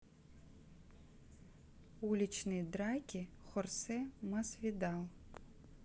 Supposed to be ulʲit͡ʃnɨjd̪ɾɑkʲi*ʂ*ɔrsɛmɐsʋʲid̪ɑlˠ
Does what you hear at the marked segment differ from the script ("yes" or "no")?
yes